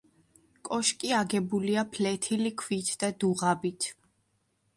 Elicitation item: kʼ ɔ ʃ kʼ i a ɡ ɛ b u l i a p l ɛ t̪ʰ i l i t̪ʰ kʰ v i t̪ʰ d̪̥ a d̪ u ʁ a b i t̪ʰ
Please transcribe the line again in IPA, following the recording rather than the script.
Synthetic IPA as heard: kʼ ɔ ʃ kʼ i a ɡ ɛ b u l i a pʰ l ɛ t̪ʰ i l i kʰ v i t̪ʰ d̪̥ a d̪ u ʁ a b i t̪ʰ